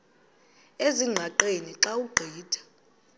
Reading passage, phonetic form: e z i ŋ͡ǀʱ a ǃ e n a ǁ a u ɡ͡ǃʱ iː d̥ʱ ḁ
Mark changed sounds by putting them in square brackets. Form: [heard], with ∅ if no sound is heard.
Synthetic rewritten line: e z i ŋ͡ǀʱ a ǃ e n [i] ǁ a u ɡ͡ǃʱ iː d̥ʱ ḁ